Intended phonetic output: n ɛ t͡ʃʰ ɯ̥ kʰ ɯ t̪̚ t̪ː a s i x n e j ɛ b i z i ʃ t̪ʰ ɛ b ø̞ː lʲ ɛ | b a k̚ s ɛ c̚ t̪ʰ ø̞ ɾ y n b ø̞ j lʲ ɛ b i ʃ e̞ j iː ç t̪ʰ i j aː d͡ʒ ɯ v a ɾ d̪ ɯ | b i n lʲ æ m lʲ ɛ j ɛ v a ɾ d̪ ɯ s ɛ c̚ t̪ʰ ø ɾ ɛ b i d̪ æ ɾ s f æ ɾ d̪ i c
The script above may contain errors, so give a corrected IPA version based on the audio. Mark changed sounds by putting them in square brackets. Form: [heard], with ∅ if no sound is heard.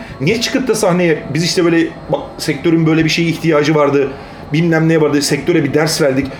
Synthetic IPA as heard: n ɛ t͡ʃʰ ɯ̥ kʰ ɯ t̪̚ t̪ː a s [a] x n e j ɛ b i z i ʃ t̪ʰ ɛ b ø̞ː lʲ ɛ | b a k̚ s ɛ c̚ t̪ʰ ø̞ ɾ y n b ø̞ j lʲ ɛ b i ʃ e̞ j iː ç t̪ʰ i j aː d͡ʒ ɯ v a ɾ d̪ ɯ | b i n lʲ æ m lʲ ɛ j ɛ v a ɾ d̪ ɯ s ɛ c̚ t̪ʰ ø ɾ ɛ b i d̪ æ ɾ s [v] æ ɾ d̪ i c